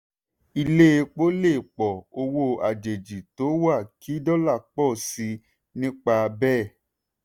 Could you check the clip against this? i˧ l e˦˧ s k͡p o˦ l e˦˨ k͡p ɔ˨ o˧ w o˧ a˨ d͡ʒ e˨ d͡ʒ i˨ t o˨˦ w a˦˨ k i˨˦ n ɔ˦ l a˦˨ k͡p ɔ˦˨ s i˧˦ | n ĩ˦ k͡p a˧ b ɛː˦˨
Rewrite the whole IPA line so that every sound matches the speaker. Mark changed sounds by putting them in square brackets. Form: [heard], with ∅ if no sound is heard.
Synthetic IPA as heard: i˧ l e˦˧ [∅] k͡p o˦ l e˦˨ k͡p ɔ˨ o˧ w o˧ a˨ d͡ʒ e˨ d͡ʒ i˨ t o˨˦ w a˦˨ k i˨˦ [d] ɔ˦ l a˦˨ k͡p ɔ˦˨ s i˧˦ | n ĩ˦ k͡p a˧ b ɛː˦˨